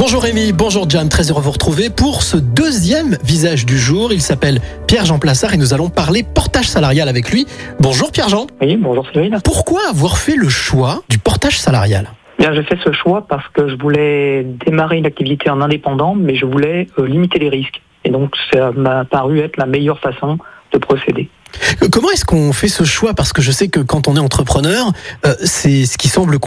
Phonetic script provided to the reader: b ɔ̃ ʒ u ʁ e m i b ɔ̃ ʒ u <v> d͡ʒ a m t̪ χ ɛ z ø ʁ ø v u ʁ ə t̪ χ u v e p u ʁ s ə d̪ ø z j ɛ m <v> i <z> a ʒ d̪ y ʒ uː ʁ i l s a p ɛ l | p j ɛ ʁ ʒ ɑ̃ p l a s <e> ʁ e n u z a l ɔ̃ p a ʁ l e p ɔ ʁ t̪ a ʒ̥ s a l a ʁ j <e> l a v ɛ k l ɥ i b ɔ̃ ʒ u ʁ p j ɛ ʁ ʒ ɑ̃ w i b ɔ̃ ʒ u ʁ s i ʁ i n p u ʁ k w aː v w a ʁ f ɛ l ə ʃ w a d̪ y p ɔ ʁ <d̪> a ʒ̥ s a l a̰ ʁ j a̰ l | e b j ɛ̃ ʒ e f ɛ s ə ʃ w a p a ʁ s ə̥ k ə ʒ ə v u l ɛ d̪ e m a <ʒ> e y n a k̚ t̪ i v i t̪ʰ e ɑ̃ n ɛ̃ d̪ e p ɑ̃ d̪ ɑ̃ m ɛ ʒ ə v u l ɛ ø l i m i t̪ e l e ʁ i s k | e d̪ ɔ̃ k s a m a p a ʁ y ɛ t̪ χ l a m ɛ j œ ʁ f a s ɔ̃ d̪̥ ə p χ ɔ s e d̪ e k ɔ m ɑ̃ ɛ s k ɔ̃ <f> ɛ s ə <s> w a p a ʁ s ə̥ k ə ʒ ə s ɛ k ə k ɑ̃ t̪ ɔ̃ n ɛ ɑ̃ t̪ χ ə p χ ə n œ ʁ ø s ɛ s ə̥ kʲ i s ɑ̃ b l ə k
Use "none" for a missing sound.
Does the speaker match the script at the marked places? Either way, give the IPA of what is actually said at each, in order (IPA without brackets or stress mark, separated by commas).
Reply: ʁ, v, z, a, a, t̪, ʁ, f, ʃ